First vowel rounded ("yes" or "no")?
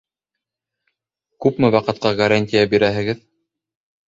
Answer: yes